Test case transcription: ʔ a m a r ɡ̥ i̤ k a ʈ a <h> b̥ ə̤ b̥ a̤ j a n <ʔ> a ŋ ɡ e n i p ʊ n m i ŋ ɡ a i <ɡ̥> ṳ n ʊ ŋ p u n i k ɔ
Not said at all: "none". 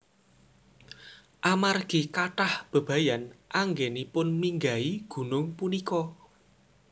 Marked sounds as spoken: h, ʔ, ɡ̥

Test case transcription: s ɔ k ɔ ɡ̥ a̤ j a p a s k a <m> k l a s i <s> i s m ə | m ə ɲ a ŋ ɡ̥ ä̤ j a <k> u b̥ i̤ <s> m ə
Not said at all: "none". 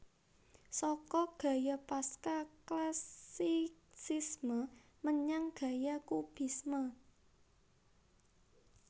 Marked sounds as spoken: none, s, k, s

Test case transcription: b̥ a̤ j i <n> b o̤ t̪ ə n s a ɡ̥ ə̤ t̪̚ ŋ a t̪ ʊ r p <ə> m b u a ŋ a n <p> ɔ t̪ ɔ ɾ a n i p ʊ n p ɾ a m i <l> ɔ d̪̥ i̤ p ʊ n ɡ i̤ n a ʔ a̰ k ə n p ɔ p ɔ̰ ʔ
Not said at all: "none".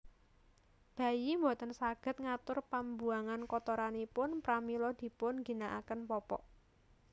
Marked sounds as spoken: m, a, k, l

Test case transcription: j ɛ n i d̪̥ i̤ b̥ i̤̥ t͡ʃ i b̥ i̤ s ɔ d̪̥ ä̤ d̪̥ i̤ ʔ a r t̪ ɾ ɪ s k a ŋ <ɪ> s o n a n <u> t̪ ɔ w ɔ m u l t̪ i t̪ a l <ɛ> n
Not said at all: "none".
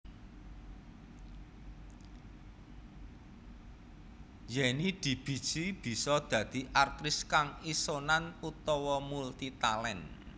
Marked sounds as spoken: i, u, ɛ

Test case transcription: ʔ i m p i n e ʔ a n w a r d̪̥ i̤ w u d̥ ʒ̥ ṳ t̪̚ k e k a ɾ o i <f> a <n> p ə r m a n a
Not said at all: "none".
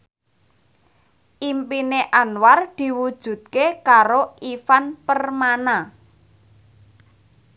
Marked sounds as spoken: f, n

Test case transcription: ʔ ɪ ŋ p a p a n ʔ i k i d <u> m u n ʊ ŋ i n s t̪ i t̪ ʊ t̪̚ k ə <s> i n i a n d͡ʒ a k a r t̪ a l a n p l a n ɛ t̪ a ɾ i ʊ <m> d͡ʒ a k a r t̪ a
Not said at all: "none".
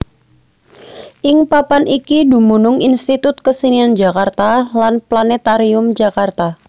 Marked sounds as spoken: u, s, m

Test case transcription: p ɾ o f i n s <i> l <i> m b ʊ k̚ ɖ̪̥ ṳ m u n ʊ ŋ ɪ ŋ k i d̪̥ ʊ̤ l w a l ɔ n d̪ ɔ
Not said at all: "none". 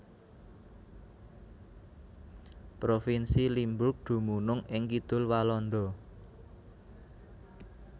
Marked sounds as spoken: i, i

